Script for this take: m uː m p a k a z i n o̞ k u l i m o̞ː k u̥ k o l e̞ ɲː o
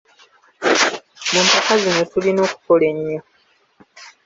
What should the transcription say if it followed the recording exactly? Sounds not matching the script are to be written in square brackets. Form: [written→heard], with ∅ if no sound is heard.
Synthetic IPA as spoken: m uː m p a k a z i n o̞ [k→t] u l i [m→n] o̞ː k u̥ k o l e̞ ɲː o